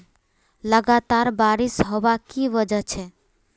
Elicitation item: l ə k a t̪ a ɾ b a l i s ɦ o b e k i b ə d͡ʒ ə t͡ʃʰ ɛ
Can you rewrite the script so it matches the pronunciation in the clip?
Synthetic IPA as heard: l ə ɡ a t̪ a ɾ b a ɾ i s ɦ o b a k i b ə d͡ʒ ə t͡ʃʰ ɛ